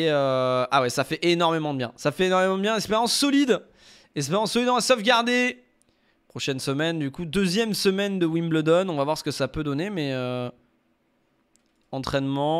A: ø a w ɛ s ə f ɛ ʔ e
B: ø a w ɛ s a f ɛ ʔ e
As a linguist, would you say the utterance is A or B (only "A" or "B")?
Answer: B